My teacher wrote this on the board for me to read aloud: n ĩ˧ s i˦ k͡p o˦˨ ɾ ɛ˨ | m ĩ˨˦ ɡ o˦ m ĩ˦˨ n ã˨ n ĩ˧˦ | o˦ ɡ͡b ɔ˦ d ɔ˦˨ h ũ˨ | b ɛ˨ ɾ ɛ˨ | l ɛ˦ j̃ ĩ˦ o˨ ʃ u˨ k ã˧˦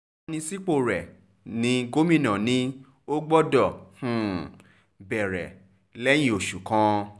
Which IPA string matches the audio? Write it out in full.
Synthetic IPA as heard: n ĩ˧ s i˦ k͡p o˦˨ ɾ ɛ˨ | n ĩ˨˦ ɡ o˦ m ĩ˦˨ n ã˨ n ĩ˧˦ | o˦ ɡ͡b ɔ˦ d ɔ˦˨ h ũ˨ | b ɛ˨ ɾ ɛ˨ | l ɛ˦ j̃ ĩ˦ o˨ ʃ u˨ k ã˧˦